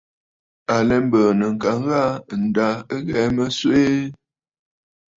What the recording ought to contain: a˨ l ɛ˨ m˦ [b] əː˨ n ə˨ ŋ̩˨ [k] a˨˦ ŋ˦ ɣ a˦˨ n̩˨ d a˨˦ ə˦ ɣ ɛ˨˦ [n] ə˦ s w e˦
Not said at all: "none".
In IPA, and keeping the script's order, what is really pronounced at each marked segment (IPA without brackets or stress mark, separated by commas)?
b, k, m